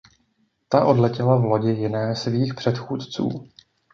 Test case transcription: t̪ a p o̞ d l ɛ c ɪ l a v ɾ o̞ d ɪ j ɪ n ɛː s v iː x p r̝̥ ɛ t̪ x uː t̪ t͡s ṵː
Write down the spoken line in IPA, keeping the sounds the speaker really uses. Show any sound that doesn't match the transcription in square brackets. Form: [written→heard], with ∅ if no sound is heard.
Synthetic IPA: t̪ a [p→ʔ] o̞ d l ɛ c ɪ l a v [ɾ→l] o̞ [d→ɟ] ɪ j ɪ n ɛː s v iː x p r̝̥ ɛ t̪ x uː t̪ t͡s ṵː